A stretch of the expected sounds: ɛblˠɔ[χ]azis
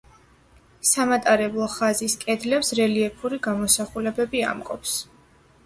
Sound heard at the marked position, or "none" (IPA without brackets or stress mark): χ